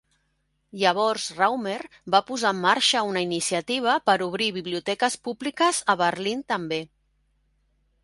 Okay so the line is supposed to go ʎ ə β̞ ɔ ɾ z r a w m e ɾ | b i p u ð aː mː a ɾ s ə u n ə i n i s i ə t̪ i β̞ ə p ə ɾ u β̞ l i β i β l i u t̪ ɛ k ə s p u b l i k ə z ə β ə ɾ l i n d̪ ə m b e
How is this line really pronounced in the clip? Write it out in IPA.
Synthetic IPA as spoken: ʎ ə β̞ ɔ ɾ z r a w m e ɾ | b a p u z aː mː a ɾ ʃ ə u n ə i n i s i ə t̪ i β̞ ə p ə ɾ u β̞ ɾ i β i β l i u t̪ ɛ k ə s p u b l i k ə z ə β ə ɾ l i n t̪ ə m b e